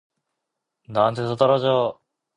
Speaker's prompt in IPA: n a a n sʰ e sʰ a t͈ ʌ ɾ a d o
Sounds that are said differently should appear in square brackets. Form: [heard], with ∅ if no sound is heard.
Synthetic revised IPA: n a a n [tʰ] e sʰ [ʌ] t͈ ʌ ɾ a [d͡ʑ] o